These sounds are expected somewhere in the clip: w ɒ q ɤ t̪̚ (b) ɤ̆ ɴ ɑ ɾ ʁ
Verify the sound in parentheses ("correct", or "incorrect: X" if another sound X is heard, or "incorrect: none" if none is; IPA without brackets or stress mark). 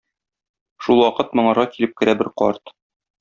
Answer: incorrect: m